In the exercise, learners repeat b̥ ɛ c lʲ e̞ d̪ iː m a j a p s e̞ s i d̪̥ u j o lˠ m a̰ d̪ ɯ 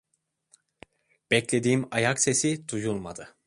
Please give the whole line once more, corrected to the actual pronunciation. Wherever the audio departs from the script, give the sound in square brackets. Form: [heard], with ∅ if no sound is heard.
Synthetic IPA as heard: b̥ ɛ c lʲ e̞ d̪ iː m a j a [k] s e̞ s i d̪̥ u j [u] lˠ m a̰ d̪ ɯ